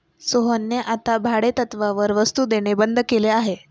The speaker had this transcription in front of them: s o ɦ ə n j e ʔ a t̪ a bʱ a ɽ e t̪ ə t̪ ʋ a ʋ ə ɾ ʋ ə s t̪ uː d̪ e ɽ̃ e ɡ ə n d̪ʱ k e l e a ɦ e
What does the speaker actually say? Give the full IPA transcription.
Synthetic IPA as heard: s o ɦ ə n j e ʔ a t̪ a bʱ a ɽ e t̪ ə t̪ ʋ a ʋ ə ɾ ʋ ə s t̪ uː d̪ e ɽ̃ e b ə n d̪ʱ k e l e a ɦ e